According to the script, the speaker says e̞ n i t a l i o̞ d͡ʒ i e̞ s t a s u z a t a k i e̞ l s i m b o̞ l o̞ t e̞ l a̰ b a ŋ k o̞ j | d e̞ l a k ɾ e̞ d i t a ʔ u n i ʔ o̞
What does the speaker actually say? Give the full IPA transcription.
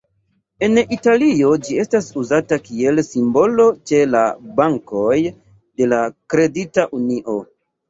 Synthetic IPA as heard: e̞ n i t a l i o̞ d͡ʒ i e̞ s t a s u z a t a k i e̞ l s i m b o̞ l o̞ t͡ʃ e̞ l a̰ b a ŋ k o̞ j | d e̞ l a k ɾ e̞ d i t a ʔ u n i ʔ o̞